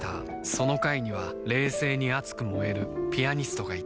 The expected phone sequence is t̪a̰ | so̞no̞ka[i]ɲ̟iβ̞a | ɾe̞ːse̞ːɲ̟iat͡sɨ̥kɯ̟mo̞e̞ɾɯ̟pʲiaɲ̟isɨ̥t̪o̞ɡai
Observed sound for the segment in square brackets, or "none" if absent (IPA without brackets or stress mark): i